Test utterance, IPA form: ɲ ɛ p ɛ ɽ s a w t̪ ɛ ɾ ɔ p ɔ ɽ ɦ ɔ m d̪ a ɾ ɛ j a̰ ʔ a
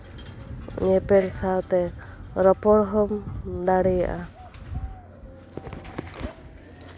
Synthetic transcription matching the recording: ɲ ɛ p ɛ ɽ s a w t̪ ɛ ɾ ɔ p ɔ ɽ ɦ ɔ m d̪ a ɽ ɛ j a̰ ʔ a